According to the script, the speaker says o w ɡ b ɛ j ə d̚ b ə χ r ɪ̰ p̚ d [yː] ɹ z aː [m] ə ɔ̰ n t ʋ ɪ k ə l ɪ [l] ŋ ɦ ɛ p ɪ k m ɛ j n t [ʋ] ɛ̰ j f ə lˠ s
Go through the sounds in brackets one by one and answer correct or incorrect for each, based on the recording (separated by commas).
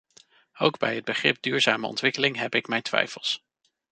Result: correct, correct, incorrect, correct